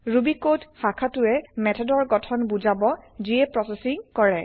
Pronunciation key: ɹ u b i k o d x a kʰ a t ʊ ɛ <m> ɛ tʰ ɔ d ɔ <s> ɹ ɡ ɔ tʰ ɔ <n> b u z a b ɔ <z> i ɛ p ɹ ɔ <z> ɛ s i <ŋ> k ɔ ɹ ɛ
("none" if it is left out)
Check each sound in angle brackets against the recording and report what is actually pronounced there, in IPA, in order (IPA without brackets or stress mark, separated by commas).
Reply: m, none, n, z, s, ŋ